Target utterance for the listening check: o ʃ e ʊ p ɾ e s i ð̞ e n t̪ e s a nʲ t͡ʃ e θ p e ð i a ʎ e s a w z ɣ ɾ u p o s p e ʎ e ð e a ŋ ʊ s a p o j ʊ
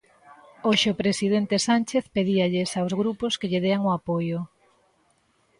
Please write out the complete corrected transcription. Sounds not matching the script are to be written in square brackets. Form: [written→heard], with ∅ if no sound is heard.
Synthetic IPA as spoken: o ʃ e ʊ p ɾ e s i ð̞ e n t̪ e s a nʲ t͡ʃ e θ p e ð i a ʎ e s a w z ɣ ɾ u p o s [p→k] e ʎ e ð e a ŋ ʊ [s→∅] a p o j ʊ